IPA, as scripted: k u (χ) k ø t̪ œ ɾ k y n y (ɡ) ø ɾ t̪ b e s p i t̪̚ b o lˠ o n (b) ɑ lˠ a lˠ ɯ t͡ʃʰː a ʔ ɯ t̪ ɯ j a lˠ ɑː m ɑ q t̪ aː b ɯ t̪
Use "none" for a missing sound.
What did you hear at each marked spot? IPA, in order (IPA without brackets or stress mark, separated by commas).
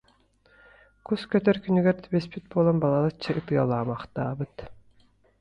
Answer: s, ɡ, b